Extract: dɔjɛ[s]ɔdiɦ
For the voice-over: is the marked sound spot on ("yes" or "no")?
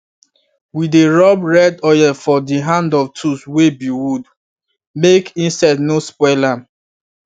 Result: no